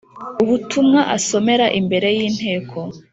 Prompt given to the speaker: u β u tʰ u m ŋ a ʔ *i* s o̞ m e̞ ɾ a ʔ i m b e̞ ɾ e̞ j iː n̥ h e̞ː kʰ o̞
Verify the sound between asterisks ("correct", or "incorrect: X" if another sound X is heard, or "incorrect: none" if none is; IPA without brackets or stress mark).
incorrect: a